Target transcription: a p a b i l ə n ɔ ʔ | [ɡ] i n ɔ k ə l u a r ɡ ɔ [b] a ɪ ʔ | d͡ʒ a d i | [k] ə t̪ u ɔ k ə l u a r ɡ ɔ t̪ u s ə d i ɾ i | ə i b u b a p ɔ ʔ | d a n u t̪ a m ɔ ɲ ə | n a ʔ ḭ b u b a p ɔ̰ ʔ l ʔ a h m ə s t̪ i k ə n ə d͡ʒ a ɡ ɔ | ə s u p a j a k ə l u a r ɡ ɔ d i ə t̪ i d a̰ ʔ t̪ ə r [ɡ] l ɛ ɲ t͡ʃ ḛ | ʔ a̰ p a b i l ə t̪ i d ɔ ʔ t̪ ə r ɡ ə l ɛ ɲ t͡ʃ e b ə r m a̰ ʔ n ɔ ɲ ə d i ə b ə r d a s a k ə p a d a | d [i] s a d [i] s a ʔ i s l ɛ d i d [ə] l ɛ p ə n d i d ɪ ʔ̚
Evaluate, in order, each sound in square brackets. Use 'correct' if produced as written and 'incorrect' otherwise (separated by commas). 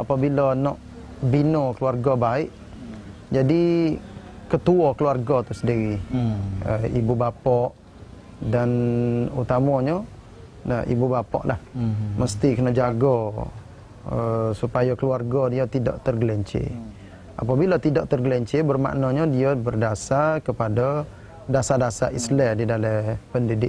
incorrect, correct, correct, correct, incorrect, incorrect, incorrect